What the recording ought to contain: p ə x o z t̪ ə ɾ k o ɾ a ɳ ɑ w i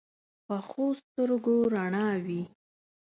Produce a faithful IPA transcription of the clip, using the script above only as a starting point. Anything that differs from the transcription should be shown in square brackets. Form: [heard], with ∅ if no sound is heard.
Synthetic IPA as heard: p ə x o [s] t̪ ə ɾ [ɡ] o ɾ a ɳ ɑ w i